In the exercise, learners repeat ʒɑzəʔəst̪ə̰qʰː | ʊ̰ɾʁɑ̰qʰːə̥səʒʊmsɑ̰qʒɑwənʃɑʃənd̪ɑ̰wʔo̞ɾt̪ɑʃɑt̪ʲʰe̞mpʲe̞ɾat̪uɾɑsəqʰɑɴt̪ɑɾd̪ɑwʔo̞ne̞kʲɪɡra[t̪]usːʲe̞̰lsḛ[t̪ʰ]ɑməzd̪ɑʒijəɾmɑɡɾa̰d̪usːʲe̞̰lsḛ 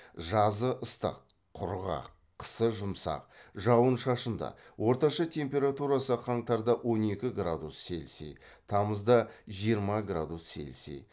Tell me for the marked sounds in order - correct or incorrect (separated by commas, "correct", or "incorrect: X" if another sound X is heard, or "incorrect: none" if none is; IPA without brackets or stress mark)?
incorrect: d̪, correct